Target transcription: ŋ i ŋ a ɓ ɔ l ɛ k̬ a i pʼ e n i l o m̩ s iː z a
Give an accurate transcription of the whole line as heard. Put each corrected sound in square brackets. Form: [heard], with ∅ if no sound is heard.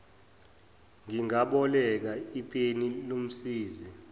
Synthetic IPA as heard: ŋ i ŋ a ɓ ɔ l ɛ k̬ a i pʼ e n i l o m̩ s iː z [i]

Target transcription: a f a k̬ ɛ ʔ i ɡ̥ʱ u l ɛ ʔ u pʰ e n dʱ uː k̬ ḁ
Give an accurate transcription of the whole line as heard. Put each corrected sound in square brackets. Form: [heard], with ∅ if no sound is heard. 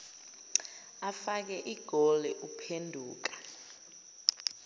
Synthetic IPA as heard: a f a k̬ ɛ ʔ i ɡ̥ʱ [ɔ] l ɛ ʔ u pʰ e n dʱ uː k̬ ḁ

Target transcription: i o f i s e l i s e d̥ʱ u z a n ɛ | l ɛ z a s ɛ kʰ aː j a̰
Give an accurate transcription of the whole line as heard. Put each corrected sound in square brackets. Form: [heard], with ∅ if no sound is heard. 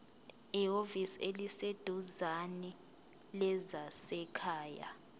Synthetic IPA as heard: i o [v] i s e l i s e d̥ʱ u z a n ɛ | l ɛ z a s ɛ kʰ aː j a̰

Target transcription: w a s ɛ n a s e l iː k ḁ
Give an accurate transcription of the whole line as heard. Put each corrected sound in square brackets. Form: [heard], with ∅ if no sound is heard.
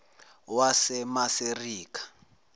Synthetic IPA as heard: w a s ɛ [m] a s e [r] iː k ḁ

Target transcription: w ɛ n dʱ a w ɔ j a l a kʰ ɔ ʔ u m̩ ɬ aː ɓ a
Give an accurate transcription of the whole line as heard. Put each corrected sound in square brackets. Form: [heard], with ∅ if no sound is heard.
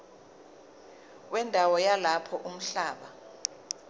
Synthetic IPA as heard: w ɛ n dʱ a w ɔ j a l a [pʰ] ɔ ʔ u m̩ ɬ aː ɓ a

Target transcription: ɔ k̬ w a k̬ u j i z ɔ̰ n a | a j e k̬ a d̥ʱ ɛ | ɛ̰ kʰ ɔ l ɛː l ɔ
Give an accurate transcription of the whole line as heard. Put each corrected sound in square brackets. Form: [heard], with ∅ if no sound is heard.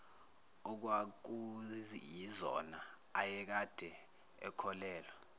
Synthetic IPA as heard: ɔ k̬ w a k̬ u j i z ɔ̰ n a | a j [ɛ] k̬ a d̥ʱ ɛ | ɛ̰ kʰ ɔ l ɛː l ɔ

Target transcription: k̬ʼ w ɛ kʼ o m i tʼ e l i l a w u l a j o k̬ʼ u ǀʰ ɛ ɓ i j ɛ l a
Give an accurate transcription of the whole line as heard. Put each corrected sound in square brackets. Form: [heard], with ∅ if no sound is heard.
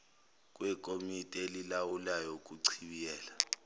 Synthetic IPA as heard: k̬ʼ w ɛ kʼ o m i tʼ e l i l a w u l a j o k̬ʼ u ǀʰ [i] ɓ i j [ɛː] l a

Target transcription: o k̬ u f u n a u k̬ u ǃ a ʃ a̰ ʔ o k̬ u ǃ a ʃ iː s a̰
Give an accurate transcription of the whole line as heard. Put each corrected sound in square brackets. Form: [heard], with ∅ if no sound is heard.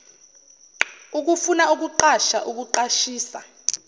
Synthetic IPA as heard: [u] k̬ u f u n a u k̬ u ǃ a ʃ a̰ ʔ [u] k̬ u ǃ a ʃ iː s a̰

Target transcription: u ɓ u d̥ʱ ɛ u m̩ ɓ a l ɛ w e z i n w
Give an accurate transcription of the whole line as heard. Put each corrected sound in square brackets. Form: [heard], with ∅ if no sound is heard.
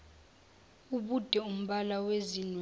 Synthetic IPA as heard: u ɓ u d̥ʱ ɛ u m̩ ɓ a l [a] w e z i n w

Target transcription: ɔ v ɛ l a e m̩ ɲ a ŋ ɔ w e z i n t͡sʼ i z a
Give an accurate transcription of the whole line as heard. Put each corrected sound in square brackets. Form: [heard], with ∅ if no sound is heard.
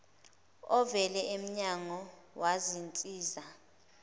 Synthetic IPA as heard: ɔ v ɛ l [ɛ] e m̩ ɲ a ŋ ɔ w [a] z i n t͡sʼ [iː] z a

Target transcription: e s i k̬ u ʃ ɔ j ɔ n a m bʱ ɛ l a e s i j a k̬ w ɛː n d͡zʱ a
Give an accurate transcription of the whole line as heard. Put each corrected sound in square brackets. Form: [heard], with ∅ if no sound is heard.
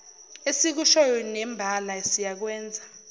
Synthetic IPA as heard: e s i k̬ u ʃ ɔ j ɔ n [ɛ] m bʱ [a] l a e s i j a k̬ w ɛː n d͡zʱ a

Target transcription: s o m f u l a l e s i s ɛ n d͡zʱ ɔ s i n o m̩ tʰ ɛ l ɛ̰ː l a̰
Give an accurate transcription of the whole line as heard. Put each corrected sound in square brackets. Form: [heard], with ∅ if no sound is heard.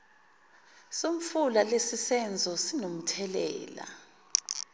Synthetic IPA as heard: s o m f u l a l e s i s ɛ n d͡zʱ ɔ s i n o m̩ tʰ ɛ l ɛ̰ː l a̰

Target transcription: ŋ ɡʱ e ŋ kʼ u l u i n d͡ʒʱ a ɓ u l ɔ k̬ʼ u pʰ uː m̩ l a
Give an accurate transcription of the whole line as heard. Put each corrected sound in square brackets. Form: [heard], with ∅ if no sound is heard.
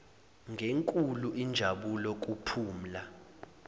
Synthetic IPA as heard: ŋ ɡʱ e ŋ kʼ u l u i n d͡ʒʱ a ɓ u l ɔ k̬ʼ u pʰ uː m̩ l a

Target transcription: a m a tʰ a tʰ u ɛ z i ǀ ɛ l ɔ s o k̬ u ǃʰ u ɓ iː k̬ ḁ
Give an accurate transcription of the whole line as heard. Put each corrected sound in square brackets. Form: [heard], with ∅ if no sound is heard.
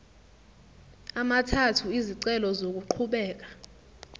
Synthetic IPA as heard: a m a tʰ a tʰ u [i] z i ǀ ɛ l ɔ [z] o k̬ u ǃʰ u ɓ [ɛː] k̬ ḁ

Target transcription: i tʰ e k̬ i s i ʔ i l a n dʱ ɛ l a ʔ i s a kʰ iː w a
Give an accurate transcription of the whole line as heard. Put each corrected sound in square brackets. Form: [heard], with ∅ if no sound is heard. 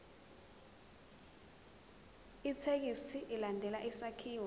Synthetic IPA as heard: i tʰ e k̬ i s i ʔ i l a n dʱ ɛ l a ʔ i s a kʰ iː w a

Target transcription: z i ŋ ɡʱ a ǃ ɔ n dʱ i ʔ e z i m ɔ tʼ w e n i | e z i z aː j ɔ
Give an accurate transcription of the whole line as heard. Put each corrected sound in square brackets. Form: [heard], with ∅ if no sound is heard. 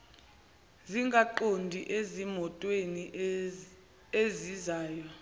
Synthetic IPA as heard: z i ŋ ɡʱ a ǃ [o] n dʱ i ʔ e z i m ɔ tʼ w e n i | e z i z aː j ɔ

